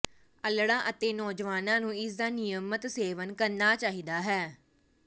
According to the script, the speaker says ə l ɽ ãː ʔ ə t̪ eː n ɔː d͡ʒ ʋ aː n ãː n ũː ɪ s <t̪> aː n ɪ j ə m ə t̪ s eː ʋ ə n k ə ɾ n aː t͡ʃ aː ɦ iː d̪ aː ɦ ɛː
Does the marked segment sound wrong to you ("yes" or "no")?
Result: yes